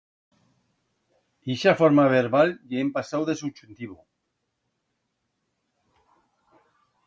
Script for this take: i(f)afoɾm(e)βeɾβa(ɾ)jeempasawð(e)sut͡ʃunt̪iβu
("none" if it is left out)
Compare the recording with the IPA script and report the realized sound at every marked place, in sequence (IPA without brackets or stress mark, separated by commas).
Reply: ʃ, a, l, e